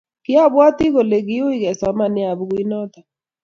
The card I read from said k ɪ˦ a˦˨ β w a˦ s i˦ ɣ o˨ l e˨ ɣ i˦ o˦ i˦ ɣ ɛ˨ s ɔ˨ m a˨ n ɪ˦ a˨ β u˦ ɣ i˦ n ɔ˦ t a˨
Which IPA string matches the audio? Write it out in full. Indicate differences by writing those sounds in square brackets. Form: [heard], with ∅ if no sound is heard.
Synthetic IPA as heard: k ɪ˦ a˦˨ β w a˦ [t] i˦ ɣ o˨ l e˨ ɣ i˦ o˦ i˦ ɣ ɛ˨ s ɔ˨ m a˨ n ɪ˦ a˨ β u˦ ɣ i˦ n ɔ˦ t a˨